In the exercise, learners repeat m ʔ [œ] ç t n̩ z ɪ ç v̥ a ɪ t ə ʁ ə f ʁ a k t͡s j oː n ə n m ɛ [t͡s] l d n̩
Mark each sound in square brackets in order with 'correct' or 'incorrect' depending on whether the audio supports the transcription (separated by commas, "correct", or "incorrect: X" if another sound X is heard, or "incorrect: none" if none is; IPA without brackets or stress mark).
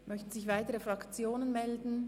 correct, incorrect: none